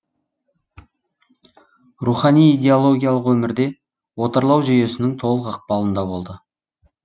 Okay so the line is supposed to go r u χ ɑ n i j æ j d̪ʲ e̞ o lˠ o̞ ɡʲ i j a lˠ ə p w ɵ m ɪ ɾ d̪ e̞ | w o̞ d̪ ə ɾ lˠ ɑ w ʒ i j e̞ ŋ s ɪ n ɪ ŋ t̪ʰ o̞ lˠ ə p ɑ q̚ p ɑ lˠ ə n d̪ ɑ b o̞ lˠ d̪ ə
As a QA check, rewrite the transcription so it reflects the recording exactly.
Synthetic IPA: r u χ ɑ n i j i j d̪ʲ e̞ o lˠ o̞ ɡʲ i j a lˠ ə q w ɵ m ɪ ɾ d̪ e̞ | w o̞ t̪ ə ɾ lˠ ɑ w ʒ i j e̞ s ɪ n ɪ ŋ t̪ʰ o̞ lˠ ə q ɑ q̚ p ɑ lˠ ə n d̪ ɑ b o̞ lˠ d̪ ə